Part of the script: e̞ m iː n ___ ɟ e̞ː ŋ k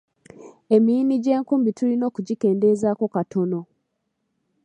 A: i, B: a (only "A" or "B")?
A